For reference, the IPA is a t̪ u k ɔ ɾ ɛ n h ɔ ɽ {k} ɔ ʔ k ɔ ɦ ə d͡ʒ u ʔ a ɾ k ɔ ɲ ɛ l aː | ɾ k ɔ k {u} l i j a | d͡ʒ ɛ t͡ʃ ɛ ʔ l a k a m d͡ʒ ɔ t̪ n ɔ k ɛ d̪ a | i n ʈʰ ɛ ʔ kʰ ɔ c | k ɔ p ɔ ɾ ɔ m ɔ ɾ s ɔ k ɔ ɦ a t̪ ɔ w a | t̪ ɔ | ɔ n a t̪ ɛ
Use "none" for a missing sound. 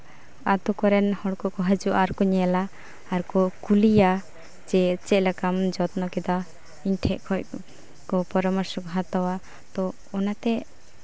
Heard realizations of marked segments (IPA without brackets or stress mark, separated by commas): k, u